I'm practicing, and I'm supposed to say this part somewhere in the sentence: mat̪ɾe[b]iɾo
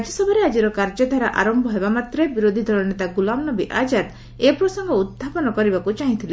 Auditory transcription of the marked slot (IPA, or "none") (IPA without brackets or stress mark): b